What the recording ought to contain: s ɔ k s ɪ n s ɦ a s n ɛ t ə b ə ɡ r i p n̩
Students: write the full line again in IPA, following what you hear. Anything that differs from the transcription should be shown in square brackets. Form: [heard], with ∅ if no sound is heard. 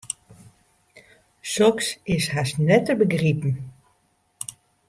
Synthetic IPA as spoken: s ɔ k s ɪ [∅] s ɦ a s n ɛ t ə b ə ɡ r i p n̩